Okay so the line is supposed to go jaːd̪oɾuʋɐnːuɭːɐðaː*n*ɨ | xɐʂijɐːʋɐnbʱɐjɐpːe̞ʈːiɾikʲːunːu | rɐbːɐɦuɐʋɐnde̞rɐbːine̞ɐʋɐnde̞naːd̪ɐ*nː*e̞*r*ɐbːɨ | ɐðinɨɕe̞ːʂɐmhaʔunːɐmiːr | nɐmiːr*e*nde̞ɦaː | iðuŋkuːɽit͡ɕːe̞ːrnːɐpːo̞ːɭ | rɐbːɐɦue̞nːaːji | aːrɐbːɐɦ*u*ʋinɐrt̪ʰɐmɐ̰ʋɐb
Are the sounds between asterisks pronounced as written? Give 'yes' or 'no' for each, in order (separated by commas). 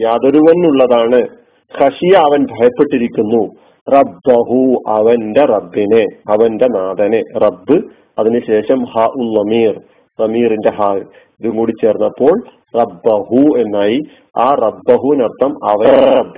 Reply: no, no, yes, no, yes